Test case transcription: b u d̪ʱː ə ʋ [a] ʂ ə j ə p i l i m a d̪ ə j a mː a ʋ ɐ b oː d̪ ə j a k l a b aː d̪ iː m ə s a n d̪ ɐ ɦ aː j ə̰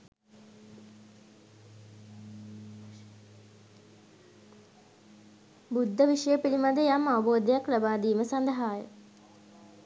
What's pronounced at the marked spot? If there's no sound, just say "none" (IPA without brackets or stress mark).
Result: i